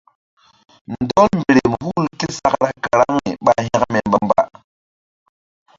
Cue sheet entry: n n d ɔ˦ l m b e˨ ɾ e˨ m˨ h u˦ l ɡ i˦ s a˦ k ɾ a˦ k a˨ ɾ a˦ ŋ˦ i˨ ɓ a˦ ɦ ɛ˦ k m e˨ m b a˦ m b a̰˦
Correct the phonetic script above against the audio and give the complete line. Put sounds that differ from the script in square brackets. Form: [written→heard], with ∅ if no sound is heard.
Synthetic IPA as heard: n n d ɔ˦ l m b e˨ ɾ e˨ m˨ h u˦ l [ɡ→k] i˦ s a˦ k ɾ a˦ k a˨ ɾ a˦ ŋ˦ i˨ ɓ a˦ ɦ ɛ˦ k m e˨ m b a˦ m b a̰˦